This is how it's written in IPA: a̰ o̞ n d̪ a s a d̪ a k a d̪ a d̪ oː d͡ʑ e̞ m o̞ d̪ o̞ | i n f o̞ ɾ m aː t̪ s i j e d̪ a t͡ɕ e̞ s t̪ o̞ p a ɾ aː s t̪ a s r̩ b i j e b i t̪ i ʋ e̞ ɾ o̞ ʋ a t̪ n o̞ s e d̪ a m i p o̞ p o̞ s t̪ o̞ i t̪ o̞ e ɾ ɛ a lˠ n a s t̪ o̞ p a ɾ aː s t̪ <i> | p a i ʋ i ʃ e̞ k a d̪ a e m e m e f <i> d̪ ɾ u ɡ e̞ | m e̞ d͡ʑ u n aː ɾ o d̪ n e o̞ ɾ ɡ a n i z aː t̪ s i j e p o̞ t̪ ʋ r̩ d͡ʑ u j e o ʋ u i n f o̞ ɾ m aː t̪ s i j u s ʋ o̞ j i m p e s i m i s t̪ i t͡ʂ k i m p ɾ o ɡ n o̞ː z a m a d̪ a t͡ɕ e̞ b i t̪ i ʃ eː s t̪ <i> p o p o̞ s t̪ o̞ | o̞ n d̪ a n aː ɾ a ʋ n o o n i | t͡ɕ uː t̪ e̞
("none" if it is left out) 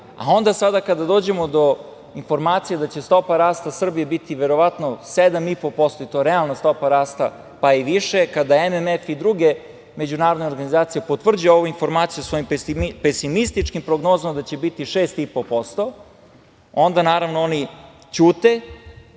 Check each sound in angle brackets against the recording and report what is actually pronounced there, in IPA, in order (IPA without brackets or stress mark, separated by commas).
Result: a, i, i